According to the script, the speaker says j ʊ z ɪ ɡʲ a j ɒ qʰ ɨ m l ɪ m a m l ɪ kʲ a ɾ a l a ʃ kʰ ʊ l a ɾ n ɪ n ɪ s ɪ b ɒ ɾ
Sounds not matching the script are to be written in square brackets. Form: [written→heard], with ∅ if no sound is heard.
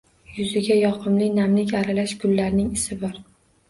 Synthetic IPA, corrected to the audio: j ʊ z ɪ ɡʲ a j ɒ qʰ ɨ m l ɪ [m→n] a m l ɪ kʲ a ɾ a l a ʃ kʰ ʊ [l→lː] a ɾ n ɪ [n→ŋ] ɪ s ɪ b ɒ ɾ